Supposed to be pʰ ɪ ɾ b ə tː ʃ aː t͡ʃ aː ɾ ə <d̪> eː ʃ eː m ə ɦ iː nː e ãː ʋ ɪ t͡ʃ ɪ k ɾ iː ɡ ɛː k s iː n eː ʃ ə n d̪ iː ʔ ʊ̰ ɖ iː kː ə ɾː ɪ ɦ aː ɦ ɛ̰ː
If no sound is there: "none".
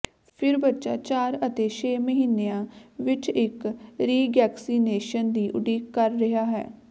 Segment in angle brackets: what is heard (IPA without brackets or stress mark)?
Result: t̪